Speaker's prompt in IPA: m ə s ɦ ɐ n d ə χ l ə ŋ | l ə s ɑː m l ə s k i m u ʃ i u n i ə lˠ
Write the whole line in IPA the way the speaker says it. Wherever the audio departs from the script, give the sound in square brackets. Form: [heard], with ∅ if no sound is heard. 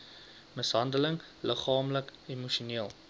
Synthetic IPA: m ə s ɦ ɐ n d ə [∅] l ə ŋ | l ə [χ] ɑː m l ə [∅] k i m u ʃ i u n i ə lˠ